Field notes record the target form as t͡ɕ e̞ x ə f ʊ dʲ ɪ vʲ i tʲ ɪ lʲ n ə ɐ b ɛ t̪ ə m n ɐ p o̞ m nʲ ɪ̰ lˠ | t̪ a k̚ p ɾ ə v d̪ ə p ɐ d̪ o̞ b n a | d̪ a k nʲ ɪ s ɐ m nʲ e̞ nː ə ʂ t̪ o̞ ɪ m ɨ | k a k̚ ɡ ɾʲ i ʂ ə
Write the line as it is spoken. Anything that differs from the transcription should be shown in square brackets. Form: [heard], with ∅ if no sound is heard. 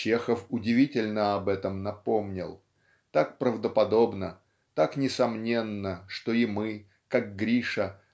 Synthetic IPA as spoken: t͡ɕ e̞ x ə f ʊ dʲ ɪ vʲ i tʲ ɪ lʲ n ə ɐ b ɛ t̪ ə m n ɐ p o̞ m nʲ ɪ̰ lˠ | t̪ a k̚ p ɾ ə v d̪ ə p ɐ d̪ o̞ b n [ə] | [t̪] a k nʲ ɪ s ɐ m nʲ e̞ nː ə ʂ t̪ o̞ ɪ m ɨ | k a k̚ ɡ ɾʲ i ʂ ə